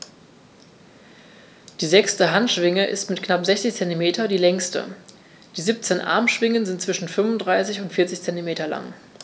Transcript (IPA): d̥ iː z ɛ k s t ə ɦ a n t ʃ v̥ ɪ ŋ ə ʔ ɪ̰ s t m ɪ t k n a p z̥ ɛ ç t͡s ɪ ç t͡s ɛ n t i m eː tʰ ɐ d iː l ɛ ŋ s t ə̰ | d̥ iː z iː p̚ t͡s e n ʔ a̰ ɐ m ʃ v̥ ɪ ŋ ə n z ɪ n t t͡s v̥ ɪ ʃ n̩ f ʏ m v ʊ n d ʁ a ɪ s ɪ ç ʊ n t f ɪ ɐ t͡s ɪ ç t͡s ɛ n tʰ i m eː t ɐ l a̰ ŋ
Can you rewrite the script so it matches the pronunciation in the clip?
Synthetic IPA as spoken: d̥ iː z ɛ k s t ə ɦ a n t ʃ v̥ ɪ ŋ ə ʔ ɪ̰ s t m ɪ t k n a p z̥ ɛ ç t͡s ɪ ç t͡s ɛ n t i m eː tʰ ɐ d iː l ɛ ŋ s t ə̰ | d̥ iː z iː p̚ t͡s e n ʔ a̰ ɐ m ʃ v̥ ɪ ŋ ə n z ɪ n t t͡s v̥ ɪ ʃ n̩ f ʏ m v ʊ n d ʁ a ɪ s ɪ ç ʊ n t f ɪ ɐ t͡s ɪ ç t͡s ɛ n t i m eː t ɐ l a̰ ŋ